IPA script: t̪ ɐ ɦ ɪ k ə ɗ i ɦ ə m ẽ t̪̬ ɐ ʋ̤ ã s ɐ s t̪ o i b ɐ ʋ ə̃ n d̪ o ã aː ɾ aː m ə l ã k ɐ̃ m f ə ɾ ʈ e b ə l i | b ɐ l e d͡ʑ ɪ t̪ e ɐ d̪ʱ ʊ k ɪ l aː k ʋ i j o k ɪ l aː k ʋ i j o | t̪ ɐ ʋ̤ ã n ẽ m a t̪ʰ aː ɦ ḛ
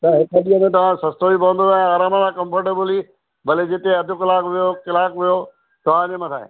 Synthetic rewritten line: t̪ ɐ ɦ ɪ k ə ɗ i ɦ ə m ẽ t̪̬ ɐ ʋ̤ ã s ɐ s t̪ o i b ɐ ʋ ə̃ n d̪ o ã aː ɾ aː m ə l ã k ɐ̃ m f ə ɾ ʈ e b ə l i | b ɐ l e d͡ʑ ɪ t̪ e ɐ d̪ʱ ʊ k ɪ l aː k ʋ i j o k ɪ l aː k ʋ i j o | t̪ ɐ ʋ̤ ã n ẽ m ɐ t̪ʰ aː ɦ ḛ

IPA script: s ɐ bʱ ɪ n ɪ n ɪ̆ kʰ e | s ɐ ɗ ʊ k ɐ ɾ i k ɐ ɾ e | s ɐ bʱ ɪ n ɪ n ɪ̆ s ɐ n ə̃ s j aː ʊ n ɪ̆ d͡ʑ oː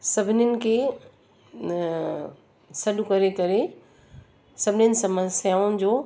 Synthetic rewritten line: s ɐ bʱ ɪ n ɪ n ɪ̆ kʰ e | s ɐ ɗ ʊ k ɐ ɾ e k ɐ ɾ e | s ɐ bʱ ɪ n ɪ n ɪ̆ s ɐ m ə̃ s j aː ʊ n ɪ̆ d͡ʑ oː

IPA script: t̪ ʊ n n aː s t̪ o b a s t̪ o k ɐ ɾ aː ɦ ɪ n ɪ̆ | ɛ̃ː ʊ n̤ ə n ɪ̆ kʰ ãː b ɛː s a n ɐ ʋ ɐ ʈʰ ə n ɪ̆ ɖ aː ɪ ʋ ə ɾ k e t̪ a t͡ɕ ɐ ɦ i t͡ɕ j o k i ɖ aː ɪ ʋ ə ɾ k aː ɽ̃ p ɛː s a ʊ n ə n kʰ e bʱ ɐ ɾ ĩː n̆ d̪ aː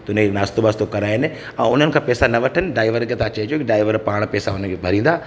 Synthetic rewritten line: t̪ ʊ n n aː s t̪ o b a s t̪ o k ɐ ɾ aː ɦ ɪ n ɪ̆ | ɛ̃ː ʊ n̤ ə n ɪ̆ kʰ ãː p ɛː s a n ɐ ʋ ɐ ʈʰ ə n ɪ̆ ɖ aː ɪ ʋ ə ɾ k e t̪ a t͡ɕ ɐ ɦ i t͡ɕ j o k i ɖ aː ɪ ʋ ə ɾ p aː ɽ̃ p ɛː s a ʊ n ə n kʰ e bʱ ɐ ɾ ĩː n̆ d̪ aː

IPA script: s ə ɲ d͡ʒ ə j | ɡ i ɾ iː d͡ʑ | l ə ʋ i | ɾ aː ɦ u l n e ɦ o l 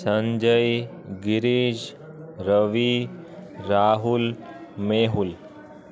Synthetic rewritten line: s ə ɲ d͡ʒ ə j | ɡ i ɾ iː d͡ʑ | ɾ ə ʋ i | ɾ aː ɦ u l m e ɦ u l

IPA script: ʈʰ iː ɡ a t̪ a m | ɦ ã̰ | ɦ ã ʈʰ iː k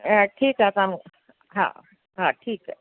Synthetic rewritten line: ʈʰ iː k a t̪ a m | ɦ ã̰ | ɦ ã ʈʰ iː k

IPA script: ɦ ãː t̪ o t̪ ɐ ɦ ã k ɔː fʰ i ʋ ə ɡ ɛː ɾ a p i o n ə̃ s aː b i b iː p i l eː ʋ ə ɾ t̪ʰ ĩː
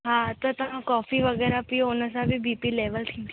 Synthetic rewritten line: ɦ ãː t̪ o t̪ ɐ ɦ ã k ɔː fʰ i ʋ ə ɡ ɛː ɾ a p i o n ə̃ s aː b i b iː p i l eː ʋ ə l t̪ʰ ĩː

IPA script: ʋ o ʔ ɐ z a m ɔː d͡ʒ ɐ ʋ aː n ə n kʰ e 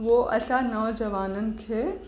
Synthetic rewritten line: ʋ o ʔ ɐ s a n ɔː d͡ʒ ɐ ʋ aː n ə n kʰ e

